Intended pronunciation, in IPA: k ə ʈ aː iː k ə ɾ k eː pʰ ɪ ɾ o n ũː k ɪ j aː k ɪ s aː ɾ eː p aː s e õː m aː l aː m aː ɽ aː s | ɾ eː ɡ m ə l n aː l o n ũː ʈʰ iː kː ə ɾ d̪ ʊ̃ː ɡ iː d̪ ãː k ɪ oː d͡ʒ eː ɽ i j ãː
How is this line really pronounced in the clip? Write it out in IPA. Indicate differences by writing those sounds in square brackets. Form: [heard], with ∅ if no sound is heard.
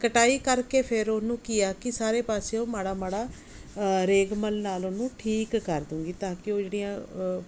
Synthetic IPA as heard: k ə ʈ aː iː k ə ɾ k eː pʰ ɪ ɾ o n ũː k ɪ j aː k ɪ s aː ɾ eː p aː s e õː m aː [ɽ] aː m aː ɽ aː [∅] | ɾ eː ɡ m ə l n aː l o n ũː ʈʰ iː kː ə ɾ d̪ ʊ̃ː ɡ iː [t̪] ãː k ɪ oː d͡ʒ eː ɽ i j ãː